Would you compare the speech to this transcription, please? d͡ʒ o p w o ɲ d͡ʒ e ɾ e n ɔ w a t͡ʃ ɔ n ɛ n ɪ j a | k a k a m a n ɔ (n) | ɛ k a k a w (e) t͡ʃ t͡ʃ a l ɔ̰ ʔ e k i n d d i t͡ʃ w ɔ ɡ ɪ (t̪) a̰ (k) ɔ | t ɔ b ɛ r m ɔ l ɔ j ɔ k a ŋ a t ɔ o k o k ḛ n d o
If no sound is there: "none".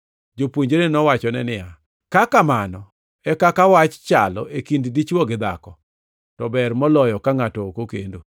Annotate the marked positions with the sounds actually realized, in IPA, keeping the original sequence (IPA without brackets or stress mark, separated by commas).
none, a, d̪, k